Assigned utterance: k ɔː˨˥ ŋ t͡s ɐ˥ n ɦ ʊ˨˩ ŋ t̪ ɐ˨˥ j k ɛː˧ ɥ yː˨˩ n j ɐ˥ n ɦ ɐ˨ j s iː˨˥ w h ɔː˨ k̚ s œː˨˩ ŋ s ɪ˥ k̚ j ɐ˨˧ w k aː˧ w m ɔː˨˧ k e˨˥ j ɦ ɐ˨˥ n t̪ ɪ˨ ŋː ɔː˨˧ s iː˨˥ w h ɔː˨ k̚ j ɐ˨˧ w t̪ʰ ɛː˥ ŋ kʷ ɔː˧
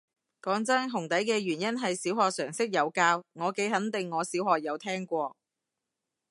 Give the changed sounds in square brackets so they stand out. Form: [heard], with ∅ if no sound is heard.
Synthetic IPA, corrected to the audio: k ɔː˨˥ ŋ t͡s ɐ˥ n ɦ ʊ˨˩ ŋ t̪ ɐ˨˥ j k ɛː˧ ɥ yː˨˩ n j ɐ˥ n ɦ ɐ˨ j s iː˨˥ w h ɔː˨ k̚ s œː˨˩ ŋ s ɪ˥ k̚ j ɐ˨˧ w k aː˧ w [ŋ] ɔː˨˧ k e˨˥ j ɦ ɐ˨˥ n t̪ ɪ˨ ŋː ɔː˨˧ s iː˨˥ w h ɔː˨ k̚ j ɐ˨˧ w t̪ʰ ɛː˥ ŋ kʷ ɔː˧